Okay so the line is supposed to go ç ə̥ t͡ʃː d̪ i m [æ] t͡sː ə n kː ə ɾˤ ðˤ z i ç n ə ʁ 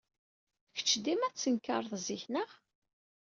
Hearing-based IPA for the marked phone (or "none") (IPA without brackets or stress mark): æ